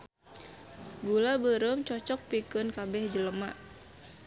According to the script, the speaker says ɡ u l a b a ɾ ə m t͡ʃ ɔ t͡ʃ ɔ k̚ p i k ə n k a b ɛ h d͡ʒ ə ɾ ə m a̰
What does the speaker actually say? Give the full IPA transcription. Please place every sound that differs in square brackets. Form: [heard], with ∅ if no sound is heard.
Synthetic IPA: ɡ u l a b [ə] ɾ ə m t͡ʃ ɔ t͡ʃ ɔ k̚ p i k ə n k a b ɛ h d͡ʒ ə [l] ə m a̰

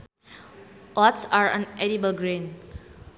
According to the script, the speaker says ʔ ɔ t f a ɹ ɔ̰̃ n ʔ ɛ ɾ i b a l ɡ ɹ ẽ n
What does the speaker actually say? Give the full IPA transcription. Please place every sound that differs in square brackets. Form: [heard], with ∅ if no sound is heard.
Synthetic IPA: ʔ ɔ t [s] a ɹ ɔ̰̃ n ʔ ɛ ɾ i b [ə] l ɡ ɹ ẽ n

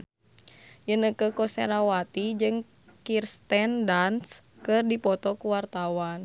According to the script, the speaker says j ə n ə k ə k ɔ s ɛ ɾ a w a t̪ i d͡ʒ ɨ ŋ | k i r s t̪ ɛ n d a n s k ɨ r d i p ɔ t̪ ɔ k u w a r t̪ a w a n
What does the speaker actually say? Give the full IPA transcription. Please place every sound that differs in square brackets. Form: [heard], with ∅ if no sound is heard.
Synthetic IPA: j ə n ə k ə k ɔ s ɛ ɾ a w a t̪ i d͡ʒ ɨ ŋ | k i r s t̪ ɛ n d a n s k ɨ r d i p ɔ t̪ ɔ k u w a r t̪ a w a n

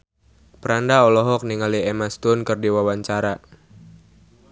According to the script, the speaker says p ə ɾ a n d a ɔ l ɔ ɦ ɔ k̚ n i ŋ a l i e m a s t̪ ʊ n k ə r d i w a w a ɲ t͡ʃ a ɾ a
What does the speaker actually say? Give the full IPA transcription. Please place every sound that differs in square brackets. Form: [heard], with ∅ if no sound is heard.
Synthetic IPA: p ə ɾ a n d a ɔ l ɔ ɦ ɔ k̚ n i ŋ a l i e m a s t̪ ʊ n k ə r d i w a w a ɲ t͡ʃ a ɾ a

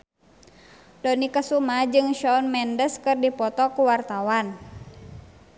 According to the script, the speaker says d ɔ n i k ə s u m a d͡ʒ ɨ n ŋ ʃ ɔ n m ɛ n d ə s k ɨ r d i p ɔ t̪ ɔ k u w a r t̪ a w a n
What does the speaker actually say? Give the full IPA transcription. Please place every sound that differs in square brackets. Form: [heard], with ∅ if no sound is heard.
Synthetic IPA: d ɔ n i k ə s u m a d͡ʒ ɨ [∅] ŋ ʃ ɔ n m ɛ n d ə s k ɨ r d i p ɔ t̪ ɔ k u w a r t̪ a w a n

